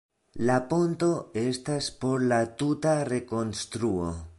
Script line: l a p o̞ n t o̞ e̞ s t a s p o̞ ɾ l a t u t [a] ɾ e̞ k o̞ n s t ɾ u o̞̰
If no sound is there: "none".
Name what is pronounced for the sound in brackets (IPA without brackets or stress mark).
a